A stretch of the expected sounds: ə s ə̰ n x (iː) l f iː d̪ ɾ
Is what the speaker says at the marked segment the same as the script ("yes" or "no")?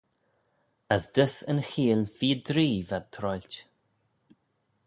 yes